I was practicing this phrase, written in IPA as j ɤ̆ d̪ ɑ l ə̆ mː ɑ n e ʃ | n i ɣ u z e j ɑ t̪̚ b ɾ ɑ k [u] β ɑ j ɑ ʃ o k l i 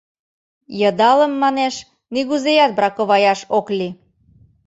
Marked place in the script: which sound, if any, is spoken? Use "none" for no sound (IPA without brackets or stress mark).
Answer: o